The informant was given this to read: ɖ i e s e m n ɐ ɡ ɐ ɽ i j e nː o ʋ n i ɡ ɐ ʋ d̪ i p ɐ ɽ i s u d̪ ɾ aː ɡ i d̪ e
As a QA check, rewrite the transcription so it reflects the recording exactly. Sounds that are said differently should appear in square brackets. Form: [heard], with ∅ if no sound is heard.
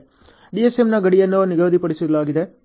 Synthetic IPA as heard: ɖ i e s e m n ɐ ɡ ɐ ɽ i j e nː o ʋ n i ɡ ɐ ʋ d̪ i p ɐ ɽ i s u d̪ [l] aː ɡ i d̪ e

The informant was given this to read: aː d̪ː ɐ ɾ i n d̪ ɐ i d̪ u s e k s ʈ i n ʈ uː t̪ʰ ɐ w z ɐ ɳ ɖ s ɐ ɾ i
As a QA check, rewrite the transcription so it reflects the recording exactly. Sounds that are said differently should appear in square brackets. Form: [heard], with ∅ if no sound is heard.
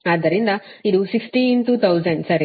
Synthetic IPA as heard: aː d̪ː ɐ ɾ i n d̪ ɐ i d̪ u s [i] k s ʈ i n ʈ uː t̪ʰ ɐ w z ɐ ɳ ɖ s ɐ ɾ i

